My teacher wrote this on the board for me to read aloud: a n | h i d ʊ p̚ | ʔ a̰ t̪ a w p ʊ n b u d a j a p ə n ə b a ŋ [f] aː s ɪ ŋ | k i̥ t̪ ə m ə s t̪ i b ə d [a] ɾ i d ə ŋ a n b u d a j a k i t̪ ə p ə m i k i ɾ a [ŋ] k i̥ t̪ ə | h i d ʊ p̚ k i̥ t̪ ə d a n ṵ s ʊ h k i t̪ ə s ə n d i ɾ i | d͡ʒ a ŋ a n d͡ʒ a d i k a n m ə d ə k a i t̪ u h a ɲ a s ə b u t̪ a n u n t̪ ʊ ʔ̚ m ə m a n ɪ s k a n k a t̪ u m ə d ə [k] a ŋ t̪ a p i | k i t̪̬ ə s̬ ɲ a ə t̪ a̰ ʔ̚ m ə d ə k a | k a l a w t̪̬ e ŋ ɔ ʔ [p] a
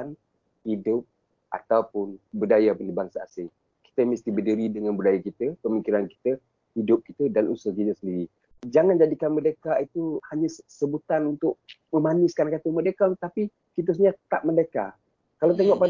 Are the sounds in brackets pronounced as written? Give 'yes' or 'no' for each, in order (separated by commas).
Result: no, no, no, yes, yes